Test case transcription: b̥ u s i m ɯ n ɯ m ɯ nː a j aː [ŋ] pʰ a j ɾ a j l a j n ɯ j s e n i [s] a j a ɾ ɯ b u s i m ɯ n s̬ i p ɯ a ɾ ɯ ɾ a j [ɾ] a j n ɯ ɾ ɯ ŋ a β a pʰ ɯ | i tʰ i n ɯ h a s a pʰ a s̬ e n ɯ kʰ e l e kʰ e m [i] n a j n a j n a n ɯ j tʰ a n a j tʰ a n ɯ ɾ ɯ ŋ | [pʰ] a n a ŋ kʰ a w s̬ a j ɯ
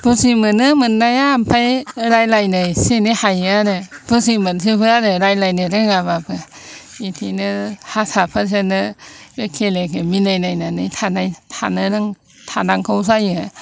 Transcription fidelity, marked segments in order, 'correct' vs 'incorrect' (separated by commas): incorrect, incorrect, incorrect, correct, incorrect